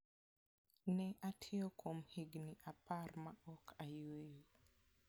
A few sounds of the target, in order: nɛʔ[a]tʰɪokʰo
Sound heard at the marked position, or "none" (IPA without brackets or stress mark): a